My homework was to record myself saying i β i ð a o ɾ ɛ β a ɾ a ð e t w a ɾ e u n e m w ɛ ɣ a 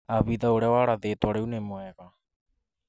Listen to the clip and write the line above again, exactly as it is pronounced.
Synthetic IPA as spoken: a β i ð a o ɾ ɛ w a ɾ a ð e t w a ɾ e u n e m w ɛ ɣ a